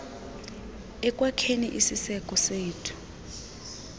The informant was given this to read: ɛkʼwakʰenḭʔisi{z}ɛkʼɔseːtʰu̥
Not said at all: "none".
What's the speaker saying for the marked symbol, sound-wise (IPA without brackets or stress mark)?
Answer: s